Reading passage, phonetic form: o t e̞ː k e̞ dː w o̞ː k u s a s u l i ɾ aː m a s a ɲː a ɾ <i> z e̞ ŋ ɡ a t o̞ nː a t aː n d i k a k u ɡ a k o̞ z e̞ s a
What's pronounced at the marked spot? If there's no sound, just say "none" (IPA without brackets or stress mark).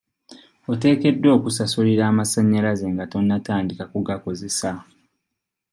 a